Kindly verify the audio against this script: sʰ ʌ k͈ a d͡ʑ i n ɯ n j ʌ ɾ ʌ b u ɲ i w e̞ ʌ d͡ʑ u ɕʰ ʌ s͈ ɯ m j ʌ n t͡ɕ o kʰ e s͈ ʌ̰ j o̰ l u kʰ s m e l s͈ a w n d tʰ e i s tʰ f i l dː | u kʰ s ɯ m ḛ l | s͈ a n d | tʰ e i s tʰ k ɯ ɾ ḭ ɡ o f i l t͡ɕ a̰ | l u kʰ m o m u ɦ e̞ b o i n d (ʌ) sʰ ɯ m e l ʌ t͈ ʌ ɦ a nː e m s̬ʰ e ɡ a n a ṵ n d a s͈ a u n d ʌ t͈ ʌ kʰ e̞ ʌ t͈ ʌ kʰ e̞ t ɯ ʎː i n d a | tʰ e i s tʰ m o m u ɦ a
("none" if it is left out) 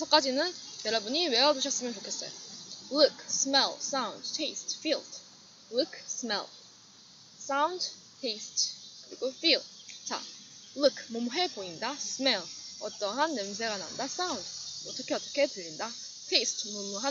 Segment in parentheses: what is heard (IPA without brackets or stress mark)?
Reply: a